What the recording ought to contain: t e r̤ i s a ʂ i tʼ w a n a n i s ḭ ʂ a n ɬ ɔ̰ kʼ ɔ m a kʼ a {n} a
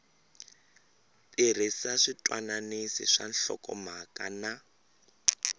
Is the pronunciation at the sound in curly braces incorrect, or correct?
correct